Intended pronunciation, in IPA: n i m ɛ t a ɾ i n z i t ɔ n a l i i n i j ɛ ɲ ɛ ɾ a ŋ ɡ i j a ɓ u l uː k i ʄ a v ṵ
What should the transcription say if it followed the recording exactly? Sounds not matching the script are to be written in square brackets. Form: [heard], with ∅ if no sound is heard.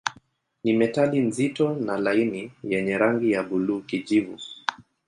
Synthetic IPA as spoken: n i m ɛ t a [l] i n z i t ɔ n a l [a] i n i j ɛ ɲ ɛ ɾ a ŋ ɡ i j a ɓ u l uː k i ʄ [i] v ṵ